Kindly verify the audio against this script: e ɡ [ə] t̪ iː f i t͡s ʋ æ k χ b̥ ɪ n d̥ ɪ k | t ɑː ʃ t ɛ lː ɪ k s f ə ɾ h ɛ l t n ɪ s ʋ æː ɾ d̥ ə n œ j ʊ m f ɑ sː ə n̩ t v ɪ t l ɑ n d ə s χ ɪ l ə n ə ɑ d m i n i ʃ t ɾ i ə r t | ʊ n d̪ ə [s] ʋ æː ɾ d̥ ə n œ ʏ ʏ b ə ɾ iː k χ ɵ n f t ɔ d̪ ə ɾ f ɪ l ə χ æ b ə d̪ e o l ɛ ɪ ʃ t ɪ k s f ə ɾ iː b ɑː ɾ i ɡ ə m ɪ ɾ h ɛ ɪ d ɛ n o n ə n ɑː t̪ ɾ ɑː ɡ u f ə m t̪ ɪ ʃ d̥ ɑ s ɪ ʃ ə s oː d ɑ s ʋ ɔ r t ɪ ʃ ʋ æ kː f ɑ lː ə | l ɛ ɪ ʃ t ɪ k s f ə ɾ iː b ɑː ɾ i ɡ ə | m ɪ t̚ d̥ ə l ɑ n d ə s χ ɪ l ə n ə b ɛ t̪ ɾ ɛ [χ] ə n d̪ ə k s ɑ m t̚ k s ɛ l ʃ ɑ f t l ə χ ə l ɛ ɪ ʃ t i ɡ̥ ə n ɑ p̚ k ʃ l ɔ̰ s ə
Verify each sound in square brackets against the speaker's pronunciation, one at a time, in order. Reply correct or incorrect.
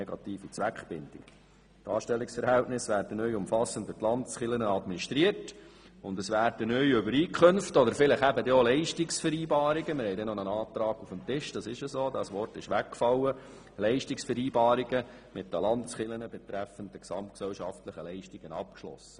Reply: incorrect, correct, incorrect

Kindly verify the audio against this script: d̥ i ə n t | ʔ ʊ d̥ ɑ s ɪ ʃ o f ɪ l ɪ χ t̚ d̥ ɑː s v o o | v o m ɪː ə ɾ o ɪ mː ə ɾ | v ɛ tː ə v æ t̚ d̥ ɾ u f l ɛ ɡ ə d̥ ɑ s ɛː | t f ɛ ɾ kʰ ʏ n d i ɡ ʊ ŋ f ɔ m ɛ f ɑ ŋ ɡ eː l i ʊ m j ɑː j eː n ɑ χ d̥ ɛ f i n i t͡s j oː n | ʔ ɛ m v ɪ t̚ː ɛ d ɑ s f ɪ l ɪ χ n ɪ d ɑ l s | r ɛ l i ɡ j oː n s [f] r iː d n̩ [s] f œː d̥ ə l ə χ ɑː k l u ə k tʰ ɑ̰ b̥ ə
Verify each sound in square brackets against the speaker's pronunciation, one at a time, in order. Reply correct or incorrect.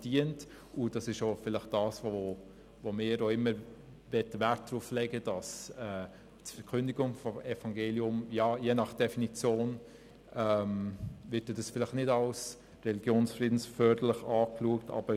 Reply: correct, correct

